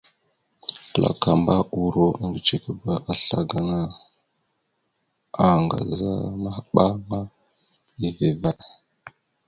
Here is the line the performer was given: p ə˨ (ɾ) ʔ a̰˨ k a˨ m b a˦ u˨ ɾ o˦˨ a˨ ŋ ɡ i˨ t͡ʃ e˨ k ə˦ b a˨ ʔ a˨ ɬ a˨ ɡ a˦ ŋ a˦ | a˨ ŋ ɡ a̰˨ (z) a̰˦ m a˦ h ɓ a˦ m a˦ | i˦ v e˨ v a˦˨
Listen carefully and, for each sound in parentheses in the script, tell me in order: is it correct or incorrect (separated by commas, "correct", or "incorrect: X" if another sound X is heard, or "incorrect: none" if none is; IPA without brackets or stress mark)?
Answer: incorrect: l, correct